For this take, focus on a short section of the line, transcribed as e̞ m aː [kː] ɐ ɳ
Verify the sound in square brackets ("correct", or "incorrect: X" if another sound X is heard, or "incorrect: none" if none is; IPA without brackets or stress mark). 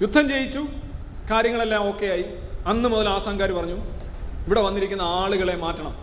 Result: incorrect: tː